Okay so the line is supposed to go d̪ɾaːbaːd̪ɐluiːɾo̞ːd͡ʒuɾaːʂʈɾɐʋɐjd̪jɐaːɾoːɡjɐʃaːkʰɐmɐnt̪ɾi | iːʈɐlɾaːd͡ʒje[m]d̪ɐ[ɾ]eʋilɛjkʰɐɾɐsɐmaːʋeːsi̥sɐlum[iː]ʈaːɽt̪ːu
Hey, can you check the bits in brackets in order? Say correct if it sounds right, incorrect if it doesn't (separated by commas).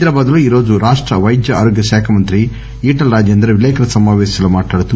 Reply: incorrect, correct, incorrect